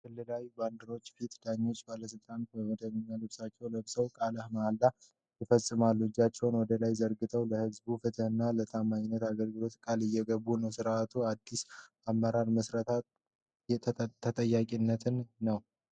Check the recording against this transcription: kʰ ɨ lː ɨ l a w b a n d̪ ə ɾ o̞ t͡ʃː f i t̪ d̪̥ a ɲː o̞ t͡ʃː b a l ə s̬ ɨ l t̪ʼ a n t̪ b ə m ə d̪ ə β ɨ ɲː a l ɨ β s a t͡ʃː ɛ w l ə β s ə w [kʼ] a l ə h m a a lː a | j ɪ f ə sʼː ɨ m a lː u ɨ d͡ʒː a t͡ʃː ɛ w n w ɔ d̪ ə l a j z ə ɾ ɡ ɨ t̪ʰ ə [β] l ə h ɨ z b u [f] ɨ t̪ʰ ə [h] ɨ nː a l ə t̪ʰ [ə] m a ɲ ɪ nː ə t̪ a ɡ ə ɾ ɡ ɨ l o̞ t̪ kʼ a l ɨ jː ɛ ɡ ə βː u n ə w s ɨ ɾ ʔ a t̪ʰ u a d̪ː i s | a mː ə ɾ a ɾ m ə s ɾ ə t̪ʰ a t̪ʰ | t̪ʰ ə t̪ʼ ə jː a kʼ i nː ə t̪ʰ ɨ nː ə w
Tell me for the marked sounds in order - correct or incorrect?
correct, incorrect: w, correct, correct, incorrect: a

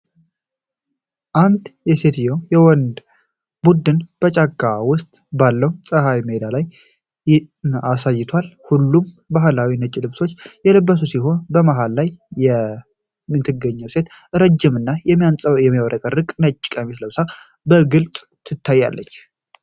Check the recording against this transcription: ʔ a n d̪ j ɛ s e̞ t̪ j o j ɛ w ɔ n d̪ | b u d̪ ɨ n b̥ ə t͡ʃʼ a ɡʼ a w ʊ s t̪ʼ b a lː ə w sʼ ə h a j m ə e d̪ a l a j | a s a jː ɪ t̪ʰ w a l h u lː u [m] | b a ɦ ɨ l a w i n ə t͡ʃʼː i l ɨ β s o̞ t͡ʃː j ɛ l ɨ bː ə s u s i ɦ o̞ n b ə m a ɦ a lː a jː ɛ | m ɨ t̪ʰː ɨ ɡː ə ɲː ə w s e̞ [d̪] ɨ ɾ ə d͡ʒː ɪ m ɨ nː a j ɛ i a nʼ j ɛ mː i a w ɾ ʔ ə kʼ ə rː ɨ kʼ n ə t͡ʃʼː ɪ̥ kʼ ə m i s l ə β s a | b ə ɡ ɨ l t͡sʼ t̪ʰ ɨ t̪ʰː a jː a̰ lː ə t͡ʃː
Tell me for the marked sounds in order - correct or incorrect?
correct, incorrect: t̪

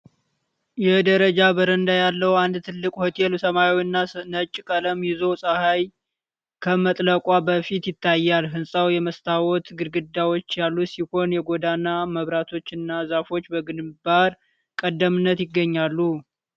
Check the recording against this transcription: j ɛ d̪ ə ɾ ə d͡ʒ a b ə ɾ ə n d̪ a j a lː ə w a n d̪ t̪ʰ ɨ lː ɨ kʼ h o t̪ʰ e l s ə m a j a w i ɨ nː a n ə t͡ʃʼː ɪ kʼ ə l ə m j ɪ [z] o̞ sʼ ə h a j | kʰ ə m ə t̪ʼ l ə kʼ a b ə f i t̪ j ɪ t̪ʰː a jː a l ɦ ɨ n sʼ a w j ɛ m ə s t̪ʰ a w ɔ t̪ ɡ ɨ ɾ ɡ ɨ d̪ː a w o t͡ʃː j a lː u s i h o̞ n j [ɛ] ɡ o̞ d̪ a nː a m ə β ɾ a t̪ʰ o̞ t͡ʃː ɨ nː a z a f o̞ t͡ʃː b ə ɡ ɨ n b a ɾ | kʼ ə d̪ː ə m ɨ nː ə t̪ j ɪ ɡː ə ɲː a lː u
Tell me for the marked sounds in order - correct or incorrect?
correct, correct

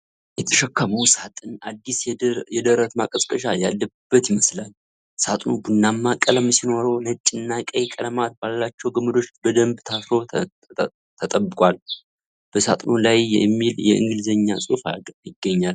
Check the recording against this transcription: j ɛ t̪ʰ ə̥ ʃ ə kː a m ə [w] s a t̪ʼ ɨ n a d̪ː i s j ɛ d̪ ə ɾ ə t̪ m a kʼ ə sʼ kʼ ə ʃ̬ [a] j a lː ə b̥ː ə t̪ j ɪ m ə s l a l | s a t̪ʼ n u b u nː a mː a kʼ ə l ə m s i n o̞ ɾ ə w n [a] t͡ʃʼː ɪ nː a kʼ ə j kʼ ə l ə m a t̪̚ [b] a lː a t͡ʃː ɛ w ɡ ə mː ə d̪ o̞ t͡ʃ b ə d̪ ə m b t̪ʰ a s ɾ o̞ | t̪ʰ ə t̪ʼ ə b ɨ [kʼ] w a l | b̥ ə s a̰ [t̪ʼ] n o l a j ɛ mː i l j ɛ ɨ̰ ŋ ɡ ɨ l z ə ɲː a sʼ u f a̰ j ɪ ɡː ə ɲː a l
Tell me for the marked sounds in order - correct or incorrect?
correct, correct, incorrect: ə, correct, correct, correct

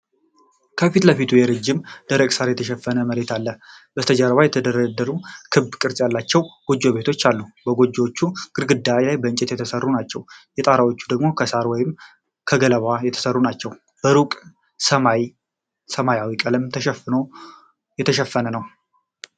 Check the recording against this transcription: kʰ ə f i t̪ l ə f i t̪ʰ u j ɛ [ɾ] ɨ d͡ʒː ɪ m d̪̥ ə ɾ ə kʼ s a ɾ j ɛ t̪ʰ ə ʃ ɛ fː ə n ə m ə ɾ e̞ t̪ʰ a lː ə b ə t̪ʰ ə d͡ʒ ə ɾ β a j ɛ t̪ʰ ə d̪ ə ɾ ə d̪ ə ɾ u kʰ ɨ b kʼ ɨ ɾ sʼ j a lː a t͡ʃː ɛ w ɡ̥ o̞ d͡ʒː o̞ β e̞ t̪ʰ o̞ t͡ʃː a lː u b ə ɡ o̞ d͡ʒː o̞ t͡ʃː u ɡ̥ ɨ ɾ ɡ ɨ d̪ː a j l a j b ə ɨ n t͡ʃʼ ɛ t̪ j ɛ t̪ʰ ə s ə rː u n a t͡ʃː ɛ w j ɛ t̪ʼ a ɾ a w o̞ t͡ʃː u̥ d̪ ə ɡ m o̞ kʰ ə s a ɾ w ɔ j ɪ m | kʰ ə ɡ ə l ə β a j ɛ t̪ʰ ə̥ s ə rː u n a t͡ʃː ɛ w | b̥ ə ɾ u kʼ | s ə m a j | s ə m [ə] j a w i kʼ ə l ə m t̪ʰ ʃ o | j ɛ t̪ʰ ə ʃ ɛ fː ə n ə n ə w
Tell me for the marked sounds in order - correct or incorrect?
correct, incorrect: a

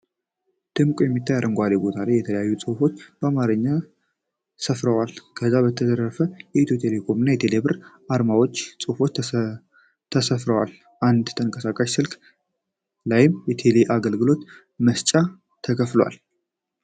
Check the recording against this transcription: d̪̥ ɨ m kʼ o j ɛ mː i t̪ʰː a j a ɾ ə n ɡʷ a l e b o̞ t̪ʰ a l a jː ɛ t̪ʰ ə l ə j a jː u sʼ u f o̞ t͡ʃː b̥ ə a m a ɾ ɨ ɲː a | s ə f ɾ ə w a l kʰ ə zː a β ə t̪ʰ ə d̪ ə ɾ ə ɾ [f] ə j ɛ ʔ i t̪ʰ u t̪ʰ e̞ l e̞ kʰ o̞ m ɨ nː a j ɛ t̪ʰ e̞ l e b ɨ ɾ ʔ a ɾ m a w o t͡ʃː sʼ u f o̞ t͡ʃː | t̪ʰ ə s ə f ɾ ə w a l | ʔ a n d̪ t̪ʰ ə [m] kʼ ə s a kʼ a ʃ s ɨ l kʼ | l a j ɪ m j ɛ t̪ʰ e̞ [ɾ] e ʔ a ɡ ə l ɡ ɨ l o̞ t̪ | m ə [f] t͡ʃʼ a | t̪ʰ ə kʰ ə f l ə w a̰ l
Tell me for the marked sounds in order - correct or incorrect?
correct, incorrect: ŋ, incorrect: l, incorrect: s

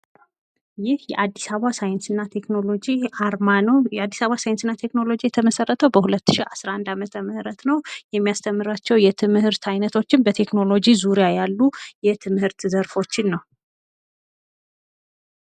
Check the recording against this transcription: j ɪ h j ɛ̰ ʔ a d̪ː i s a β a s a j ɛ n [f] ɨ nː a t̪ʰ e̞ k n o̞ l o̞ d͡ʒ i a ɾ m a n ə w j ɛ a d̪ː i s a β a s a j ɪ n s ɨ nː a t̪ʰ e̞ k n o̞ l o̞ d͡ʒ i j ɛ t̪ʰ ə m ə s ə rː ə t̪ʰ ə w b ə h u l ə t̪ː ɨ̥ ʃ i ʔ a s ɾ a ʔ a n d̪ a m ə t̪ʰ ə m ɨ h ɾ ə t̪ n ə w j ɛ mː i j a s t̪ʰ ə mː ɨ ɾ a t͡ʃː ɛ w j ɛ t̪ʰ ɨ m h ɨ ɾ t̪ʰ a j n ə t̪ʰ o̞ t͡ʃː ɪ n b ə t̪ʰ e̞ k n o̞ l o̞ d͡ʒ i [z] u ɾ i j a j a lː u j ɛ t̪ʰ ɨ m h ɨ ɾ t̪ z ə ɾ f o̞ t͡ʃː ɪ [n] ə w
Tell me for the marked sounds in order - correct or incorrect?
incorrect: s, correct, incorrect: nː

